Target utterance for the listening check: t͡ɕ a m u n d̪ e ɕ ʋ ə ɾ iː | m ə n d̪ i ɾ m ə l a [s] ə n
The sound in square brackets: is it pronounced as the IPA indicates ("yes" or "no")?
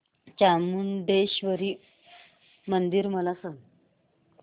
yes